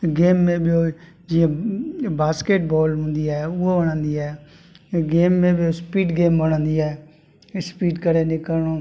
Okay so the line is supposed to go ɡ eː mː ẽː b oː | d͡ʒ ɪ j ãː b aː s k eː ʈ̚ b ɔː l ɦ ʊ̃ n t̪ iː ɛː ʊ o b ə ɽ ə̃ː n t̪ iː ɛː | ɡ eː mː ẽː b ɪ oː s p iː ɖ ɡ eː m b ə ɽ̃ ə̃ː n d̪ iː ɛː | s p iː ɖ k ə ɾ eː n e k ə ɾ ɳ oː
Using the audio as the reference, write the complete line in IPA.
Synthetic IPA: ɡ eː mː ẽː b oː | d͡ʒ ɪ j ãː b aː s k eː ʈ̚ b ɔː l ɦ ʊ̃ n d̪ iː ɛː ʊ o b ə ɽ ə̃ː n d̪ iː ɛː | ɡ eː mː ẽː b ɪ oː s p iː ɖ ɡ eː m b ə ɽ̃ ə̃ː n d̪ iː ɛː | s p iː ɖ k ə ɾ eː n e k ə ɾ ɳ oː

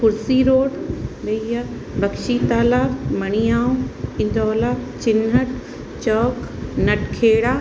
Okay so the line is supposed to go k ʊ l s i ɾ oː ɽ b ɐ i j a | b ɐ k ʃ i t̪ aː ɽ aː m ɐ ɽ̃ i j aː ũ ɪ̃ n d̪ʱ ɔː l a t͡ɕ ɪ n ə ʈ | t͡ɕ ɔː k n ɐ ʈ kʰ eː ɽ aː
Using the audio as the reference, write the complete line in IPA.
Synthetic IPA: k ʊ ɾ s i ɾ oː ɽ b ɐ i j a | b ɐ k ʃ i t̪ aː l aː m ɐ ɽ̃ i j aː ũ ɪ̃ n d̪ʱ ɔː l a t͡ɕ ɪ n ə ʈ | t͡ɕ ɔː k n ɐ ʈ kʰ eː ɽ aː

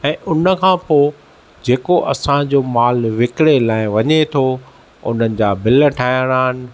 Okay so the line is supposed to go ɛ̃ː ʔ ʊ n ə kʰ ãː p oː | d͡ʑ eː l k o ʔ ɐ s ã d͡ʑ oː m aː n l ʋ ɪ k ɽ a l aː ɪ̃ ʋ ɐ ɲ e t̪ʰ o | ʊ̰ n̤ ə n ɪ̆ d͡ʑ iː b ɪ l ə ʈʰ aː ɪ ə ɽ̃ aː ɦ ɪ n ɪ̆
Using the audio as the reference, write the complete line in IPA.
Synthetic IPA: ɛ̃ː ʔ ʊ n ə kʰ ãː p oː | d͡ʑ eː k o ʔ ɐ s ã d͡ʑ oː m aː l ʋ ɪ k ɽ e l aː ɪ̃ ʋ ɐ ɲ e t̪ʰ o | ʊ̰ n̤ ə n ɪ̆ d͡ʑ aː b ɪ l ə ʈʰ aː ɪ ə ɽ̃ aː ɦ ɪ n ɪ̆

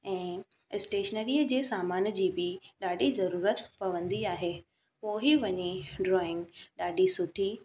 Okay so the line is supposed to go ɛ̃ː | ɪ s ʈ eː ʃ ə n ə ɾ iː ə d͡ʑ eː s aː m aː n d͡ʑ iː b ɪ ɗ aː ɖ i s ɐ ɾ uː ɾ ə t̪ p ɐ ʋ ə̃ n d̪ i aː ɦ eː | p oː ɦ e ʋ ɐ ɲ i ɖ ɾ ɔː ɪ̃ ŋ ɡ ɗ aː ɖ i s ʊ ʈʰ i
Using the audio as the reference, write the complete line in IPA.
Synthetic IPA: ɛ̃ː | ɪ s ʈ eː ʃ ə n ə ɾ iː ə d͡ʑ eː s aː m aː n d͡ʑ iː b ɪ ɗ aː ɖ i z ɐ ɾ uː ɾ ə t̪ p ɐ ʋ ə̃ n d̪ i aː ɦ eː | p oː ɦ i ʋ ɐ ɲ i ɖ ɾ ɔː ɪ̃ ŋ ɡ ɗ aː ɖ i s ʊ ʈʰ i

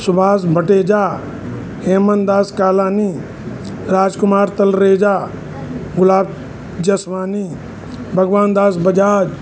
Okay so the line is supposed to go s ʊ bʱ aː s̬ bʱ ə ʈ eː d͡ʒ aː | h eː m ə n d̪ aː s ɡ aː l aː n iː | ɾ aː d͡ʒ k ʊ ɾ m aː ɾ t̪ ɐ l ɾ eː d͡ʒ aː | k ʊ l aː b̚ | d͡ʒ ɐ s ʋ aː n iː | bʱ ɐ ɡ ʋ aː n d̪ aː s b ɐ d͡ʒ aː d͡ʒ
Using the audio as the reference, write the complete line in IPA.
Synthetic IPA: s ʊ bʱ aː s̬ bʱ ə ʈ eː d͡ʒ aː | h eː m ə n d̪ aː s k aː l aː n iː | ɾ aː d͡ʒ k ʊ m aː ɾ t̪ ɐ l ɾ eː d͡ʒ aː | ɡ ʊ l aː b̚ | d͡ʒ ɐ s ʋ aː n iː | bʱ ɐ ɡ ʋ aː n d̪ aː s b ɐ d͡ʒ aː d͡ʒ

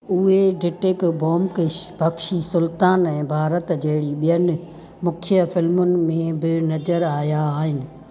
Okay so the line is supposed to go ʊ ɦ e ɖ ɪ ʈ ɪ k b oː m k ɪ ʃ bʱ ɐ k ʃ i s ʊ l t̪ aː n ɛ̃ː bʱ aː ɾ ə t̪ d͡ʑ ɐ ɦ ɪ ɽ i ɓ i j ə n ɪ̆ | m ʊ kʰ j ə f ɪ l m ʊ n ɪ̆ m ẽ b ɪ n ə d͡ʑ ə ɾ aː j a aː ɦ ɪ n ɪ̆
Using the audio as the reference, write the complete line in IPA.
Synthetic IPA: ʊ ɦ e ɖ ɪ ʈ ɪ k b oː m k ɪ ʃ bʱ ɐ k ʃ i s ʊ l t̪ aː n ɛ̃ː bʱ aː ɾ ə t̪ d͡ʑ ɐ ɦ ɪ ɽ i ɓ i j ə n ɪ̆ | m ʊ kʰ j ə f ɪ l m ʊ n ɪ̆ m ẽ b ɪ n ɐ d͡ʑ ə ɾ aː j a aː ɦ ɪ n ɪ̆

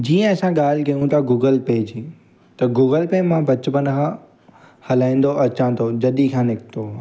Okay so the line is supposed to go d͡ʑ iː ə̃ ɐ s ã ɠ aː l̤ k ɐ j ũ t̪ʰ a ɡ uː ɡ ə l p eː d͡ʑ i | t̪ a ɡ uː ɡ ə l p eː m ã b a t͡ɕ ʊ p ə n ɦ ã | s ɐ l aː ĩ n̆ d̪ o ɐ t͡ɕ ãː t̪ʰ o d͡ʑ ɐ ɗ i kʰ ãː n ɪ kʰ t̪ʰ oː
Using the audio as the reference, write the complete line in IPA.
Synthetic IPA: d͡ʑ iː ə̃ ɐ s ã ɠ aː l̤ k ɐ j ũ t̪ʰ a ɡ uː ɡ ə l p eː d͡ʑ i | t̪ ɐ ɡ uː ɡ ə l p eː m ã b ɐ t͡ɕ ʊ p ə n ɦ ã | h ɐ l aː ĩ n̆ d̪ o ɐ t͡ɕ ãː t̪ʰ o d͡ʑ ɐ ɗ i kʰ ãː n ɪ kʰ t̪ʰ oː

